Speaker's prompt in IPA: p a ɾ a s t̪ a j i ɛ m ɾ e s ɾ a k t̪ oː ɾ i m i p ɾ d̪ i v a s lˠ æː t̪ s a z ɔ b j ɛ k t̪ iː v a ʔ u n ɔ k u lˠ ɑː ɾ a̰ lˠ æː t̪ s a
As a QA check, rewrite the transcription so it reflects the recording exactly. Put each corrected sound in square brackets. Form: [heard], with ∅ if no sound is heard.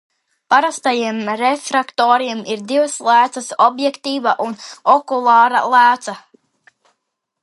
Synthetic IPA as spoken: p a ɾ a s t̪ a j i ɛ m ɾ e [f] ɾ a k t̪ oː ɾ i m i [∅] ɾ d̪ i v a s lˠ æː t̪ s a [s] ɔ b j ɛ k t̪ iː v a ʔ u n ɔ k u lˠ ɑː ɾ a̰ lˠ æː t̪ s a